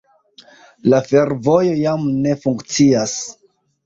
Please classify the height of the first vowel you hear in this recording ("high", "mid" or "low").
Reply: low